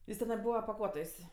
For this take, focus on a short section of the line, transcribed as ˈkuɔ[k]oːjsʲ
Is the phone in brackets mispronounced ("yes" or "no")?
yes